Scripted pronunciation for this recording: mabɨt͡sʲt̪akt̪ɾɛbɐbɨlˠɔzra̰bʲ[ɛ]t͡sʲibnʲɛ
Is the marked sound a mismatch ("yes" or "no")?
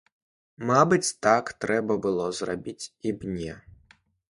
yes